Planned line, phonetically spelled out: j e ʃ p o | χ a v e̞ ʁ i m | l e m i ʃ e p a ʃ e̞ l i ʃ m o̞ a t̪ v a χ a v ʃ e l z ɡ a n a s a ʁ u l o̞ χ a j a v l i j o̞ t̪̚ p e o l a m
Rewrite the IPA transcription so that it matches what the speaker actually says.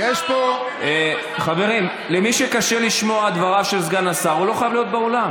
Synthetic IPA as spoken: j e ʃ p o | χ a v e̞ ʁ i m | l e m i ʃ e k a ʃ e̞ l i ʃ m o̞ a d̪ v a ʁ a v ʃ e l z ɡ a n a s a ʁ u l o̞ χ a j a v l i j o̞ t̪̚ b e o l a m